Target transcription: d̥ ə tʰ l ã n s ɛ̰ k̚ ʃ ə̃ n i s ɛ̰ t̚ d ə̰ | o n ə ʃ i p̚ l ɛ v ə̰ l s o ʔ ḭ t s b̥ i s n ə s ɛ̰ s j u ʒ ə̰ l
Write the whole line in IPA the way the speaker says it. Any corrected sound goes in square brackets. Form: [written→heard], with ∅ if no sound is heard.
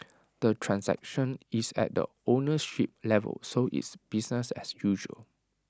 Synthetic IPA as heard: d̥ ə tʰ [l→ɹ] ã n s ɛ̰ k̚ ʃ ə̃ n i s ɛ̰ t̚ d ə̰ | o n ə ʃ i p̚ l ɛ v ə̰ l s o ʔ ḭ t s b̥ i s n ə s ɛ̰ s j u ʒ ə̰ l